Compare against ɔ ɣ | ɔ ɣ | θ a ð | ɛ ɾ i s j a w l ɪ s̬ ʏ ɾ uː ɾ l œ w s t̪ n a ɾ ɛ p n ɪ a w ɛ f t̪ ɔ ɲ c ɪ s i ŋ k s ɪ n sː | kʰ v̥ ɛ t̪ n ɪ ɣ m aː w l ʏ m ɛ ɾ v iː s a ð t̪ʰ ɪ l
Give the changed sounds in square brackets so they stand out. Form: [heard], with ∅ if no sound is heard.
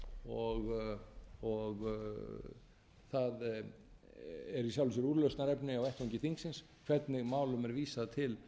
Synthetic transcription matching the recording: ɔ ɣ | ɔ ɣ | θ a ð | ɛ ɾ i s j a w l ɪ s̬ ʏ ɾ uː ɾ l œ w s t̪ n a ɾ ɛ p n ɪ a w ɛ [h] t̪ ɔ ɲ c ɪ [θ] i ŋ k s ɪ n [s] | kʰ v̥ ɛ t̪ n ɪ ɣ m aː w l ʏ m ɛ ɾ v iː s a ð t̪ʰ ɪ l